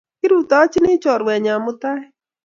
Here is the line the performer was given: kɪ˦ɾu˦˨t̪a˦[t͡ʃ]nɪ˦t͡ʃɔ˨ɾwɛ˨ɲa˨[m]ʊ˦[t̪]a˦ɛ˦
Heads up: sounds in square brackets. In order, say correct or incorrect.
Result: correct, correct, correct

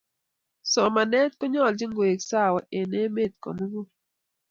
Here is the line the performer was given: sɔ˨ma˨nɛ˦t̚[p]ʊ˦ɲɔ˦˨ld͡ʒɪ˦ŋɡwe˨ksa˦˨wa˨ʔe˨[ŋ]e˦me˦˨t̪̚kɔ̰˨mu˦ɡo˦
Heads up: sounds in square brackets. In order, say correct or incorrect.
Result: incorrect: k, incorrect: n

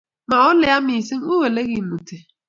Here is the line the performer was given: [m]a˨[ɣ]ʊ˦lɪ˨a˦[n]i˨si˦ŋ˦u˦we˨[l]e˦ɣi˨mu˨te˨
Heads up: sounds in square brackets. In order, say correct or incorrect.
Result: correct, incorrect: none, incorrect: m, correct

